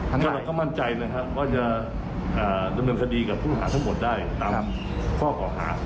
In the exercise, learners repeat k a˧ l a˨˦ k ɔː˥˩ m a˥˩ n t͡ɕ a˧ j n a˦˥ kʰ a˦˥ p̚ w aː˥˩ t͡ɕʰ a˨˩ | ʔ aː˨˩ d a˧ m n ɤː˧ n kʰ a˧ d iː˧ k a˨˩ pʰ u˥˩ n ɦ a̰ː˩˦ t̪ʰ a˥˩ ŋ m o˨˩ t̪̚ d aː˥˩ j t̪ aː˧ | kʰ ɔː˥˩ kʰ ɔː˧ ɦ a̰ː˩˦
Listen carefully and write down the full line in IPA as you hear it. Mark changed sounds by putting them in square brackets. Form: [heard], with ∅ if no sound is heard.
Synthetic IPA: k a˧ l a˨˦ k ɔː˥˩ m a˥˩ n t͡ɕ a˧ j n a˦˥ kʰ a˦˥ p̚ w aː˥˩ [t͡ɕ] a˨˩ | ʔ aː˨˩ d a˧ m n ɤː˧ n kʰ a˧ d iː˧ k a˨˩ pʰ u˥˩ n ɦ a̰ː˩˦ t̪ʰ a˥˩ ŋ m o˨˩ t̪̚ d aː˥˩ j t̪ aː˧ | kʰ ɔː˥˩ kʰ [ɔː˩˦] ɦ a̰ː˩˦